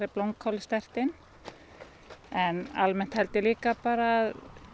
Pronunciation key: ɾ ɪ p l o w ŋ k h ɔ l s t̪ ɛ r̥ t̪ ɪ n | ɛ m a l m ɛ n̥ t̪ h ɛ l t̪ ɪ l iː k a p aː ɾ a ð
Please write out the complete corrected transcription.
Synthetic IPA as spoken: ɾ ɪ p l o w ŋ k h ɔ l s t̪ ɛ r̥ t̪ ɪ n | ɛ n a l m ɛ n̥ t̪ h ɛ l t̪ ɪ l iː k a p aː ɾ a ð

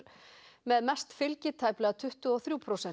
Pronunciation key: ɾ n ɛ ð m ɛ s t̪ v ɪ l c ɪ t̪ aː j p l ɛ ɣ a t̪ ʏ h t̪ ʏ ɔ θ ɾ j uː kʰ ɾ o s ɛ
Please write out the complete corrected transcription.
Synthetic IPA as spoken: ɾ m ɛ ð m ɛ s t̪ f ɪ l c ɪ t̪ʰ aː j p l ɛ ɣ a t̪ʰ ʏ h t̪ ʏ ɔ θ ɾ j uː pʰ ɾ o s ɛ

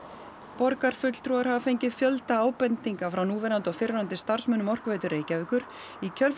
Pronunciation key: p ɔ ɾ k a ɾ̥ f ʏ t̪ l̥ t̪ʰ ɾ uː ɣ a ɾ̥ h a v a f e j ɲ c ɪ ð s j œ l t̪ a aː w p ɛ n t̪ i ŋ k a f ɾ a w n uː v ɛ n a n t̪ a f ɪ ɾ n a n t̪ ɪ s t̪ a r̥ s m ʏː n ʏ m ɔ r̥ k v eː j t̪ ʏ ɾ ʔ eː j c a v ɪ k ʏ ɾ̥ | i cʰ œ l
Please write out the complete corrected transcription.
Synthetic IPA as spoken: p ɔ ɾ k a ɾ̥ f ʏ t̪ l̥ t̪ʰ ɾ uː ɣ a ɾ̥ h a v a f e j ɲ c ɪ ð f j œ l t̪ a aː w p ɛ n t̪ i ŋ k a f ɾ a w n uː v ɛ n a n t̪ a f ɪ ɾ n a n t̪ ɪ s t̪ a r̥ s m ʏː n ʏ m ɔ r̥ k v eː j t̪ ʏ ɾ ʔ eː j c a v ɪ k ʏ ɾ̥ | i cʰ œ l

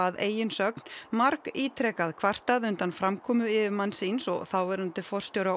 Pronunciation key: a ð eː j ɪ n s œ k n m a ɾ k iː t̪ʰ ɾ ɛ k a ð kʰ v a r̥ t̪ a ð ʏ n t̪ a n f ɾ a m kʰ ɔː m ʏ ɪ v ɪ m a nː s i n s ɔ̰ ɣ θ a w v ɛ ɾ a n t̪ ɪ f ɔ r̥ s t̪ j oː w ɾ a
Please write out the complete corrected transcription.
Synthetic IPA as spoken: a ð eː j ɪ n s œ k n m a ɾ k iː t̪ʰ ɾ ɛ k a ð kʰ v a r̥ t̪ a ð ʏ n t̪ a n f ɾ a m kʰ ɔː m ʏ ɪ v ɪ m a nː s i n s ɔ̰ ɣ θ a w v ɛ ɾ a n t̪ ɪ f ɔ r̥ s t̪ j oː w ɾ a

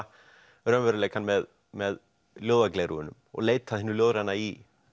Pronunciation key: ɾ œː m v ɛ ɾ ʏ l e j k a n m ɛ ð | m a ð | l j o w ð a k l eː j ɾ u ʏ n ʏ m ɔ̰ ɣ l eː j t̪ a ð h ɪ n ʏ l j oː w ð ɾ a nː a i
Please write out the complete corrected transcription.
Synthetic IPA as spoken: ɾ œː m v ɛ ɾ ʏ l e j k a n m ɛ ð | m ɛ ð | l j o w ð a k l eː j ɾ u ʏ n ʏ m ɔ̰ ɣ l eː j t̪ a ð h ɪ n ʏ l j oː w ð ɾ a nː a i

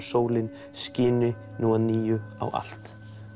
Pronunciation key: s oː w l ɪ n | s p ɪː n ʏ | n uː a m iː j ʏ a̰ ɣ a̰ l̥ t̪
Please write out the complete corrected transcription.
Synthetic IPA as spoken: s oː w l ɪ n | s c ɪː n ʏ | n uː a n iː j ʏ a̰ w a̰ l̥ t̪

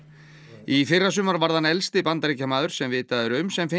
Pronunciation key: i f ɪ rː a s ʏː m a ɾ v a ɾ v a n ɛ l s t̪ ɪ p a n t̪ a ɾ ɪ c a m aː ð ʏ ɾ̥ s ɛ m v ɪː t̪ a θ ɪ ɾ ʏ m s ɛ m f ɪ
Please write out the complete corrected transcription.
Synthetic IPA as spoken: i f ɪ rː a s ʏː m a ɾ v a ɾ ð a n ɛ l s t̪ ɪ p a n t̪ a ɾ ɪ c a m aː ð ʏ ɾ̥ s ɛ m v ɪː t̪ a ð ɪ ɾ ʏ m s ɛ m f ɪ

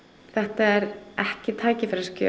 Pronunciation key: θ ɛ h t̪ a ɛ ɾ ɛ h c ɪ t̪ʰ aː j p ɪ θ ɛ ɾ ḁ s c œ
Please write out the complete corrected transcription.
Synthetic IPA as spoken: θ ɛ h t̪ a ɛ ɾ ɛ h c ɪ t̪ʰ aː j c ɪ f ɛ ɾ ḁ s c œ

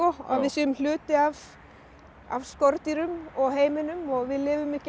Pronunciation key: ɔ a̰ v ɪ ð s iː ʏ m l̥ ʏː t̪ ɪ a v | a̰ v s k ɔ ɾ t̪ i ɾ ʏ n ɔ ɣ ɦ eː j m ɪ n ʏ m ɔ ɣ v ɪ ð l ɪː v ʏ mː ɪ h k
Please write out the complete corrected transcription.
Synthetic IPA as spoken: ɔ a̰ v ɪ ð s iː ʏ m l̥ ʏː t̪ ɪ a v | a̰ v s k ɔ ɾ t̪ i ɾ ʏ m ɔ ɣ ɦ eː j m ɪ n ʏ m ɔ ɣ v ɪ ð l ɪː v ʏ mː ɪ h c

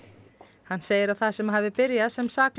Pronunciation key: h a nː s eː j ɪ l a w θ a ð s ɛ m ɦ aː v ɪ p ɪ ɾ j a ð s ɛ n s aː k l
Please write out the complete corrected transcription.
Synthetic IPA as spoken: h a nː s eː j ɪ ɾ a w θ a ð s ɛ m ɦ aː v ɪ p ɪ ɾ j a ð s ɛ m s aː k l

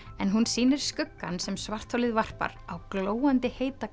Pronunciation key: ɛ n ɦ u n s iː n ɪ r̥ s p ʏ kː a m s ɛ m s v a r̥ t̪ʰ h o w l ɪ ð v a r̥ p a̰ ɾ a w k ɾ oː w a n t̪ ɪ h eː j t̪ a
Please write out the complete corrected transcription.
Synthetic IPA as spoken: ɛ n ɦ u n s iː n ɪ ɾ̥ s k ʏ kː a n s ɛ m s v a r̥ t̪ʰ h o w l ɪ ð v a r̥ p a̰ ɾ a w k l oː w a n t̪ ɪ h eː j t̪ a

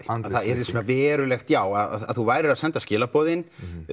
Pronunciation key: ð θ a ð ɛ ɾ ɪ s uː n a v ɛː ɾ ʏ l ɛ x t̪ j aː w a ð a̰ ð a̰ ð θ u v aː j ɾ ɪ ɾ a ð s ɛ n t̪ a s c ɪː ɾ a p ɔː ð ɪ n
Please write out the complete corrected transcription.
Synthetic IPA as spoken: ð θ a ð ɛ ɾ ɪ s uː n a v ɛː ɾ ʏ l ɛ x t̪ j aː w a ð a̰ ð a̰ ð θ u v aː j ɾ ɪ ɾ a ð s ɛ n t̪ a s c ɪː l a p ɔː ð ɪ n

